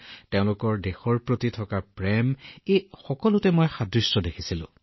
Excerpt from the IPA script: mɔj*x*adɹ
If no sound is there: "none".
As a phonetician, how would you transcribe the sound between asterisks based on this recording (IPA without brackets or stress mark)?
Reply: x